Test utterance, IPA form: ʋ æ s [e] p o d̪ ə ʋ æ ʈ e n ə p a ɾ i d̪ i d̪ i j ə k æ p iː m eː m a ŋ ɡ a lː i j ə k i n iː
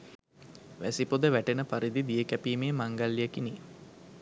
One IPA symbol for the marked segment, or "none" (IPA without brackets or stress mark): i